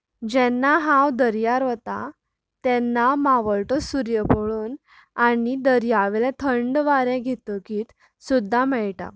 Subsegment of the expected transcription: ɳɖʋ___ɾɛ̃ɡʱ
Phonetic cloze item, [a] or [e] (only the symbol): a